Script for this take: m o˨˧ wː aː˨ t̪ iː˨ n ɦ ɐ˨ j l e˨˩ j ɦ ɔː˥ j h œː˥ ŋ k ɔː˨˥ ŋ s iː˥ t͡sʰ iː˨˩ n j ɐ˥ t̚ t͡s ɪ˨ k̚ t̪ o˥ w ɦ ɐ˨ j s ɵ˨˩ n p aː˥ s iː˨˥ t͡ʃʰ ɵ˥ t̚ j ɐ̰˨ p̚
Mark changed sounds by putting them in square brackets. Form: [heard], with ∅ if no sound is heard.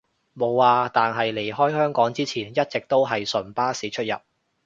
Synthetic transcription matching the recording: m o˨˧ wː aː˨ t̪ [aː˨] n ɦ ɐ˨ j l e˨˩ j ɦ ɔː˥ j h œː˥ ŋ k ɔː˨˥ ŋ [t͡s] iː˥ t͡sʰ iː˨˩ n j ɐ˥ t̚ t͡s ɪ˨ k̚ t̪ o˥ w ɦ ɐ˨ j s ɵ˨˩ n p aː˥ s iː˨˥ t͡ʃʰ ɵ˥ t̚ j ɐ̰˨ p̚